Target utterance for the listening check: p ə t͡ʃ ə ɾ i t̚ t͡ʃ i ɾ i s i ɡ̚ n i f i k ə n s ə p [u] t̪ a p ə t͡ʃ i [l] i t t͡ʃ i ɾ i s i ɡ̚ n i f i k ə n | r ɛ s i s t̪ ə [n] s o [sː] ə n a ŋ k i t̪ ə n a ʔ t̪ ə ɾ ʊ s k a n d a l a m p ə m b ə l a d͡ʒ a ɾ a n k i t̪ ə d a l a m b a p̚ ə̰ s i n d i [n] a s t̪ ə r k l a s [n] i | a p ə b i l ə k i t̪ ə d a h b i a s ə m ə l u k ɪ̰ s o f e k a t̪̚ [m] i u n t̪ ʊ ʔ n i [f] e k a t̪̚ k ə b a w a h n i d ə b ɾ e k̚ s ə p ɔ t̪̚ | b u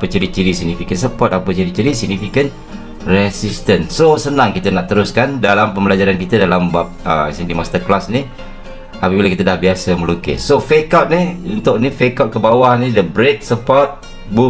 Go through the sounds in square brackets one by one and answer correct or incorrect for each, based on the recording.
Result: incorrect: ɔ, incorrect: ɾ, correct, incorrect: s, incorrect: m, correct, incorrect: n, correct

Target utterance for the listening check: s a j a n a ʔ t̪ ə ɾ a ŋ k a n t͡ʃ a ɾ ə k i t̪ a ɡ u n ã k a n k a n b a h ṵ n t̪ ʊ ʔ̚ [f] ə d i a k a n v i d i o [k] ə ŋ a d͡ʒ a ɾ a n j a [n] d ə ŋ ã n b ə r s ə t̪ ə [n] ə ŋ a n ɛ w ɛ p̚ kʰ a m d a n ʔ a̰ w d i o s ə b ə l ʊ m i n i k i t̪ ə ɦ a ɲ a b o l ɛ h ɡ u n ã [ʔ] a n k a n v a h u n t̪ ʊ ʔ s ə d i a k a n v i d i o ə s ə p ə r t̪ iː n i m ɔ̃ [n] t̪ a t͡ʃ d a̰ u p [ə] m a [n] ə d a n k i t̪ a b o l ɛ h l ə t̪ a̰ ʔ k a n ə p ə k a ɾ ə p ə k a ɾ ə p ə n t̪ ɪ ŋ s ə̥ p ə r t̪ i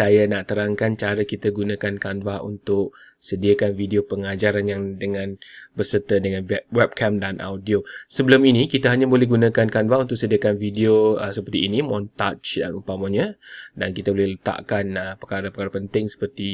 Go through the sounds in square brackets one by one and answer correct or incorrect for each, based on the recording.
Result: incorrect: s, incorrect: p, incorrect: ŋ, incorrect: d, incorrect: k, correct, incorrect: a, incorrect: ɲ

